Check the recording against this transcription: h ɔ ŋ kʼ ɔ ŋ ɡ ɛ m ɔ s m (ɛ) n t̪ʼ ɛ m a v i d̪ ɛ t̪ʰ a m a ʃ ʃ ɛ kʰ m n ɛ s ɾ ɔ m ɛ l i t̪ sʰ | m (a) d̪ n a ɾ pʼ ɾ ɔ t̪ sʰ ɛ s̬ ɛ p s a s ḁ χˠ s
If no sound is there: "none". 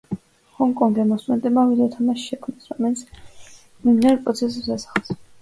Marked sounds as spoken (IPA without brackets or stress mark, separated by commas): ɛ, i